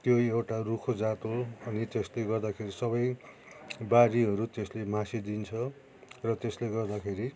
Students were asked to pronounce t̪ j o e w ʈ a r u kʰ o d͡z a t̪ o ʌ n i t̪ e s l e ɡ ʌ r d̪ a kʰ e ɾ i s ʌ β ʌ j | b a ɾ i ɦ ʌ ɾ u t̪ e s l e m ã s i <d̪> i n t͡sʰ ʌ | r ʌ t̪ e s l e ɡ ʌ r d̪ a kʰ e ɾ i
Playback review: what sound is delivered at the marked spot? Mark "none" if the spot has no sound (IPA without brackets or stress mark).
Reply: d̪